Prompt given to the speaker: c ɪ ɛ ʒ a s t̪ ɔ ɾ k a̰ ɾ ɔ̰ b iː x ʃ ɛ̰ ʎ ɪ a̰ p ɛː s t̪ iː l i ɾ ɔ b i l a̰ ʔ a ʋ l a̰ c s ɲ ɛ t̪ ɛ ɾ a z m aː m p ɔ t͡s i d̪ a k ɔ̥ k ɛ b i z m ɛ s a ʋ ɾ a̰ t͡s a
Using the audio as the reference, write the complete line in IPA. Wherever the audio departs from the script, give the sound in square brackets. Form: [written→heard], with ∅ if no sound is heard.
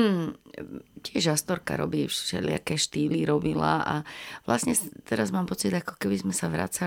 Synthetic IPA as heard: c ɪ ɛ ʒ a s t̪ ɔ ɾ k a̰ ɾ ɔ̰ b iː [x→f] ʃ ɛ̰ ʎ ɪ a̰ [p→k] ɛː [s→ʃ] t̪ iː l i ɾ ɔ b i l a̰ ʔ a ʋ l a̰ [c→∅] s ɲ ɛ t̪ ɛ ɾ a z m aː m p ɔ t͡s i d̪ a k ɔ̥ k ɛ b i z m ɛ s a ʋ ɾ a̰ t͡s a